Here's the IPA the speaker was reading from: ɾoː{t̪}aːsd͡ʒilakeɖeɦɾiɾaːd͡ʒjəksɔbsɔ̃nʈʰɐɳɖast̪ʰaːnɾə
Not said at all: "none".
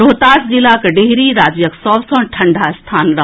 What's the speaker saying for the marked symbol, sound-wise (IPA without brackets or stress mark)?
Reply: t̪